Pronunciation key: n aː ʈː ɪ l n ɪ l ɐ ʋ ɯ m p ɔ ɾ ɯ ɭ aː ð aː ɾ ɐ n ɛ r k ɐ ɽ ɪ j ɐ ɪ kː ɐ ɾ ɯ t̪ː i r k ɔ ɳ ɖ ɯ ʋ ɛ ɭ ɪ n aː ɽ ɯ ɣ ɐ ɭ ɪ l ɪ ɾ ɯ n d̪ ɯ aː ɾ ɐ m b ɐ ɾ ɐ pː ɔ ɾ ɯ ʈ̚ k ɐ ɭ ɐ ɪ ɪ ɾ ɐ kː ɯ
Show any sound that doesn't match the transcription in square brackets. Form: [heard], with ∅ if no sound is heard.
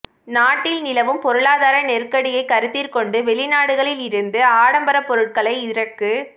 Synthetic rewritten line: n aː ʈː ɪ l n ɪ l ɐ ʋ ɯ m p ɔ ɾ ɯ ɭ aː ð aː ɾ ɐ n ɛ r k ɐ ɽ ɪ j ɐ ɪ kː ɐ ɾ ɯ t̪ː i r k ɔ ɳ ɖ ɯ ʋ ɛ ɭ ɪ n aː ɽ ɯ ɣ ɐ ɭ ɪ l ɪ ɾ ɯ n d̪ ɯ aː [ɽ] ɐ m b ɐ ɾ ɐ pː ɔ ɾ ɯ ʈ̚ k ɐ ɭ ɐ ɪ ɪ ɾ ɐ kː ɯ